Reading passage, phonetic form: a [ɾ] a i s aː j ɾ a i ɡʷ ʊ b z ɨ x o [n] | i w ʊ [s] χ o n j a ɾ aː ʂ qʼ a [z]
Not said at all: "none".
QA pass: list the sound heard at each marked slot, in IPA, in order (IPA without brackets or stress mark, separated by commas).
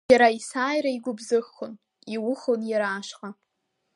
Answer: ɾ, n, none, none